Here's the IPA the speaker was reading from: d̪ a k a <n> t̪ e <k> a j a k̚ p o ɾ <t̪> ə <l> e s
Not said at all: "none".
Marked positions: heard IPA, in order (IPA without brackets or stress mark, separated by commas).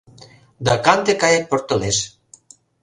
n, k, t̪, l